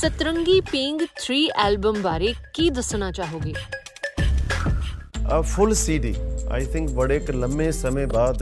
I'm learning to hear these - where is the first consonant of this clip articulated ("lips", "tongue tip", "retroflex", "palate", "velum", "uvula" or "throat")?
tongue tip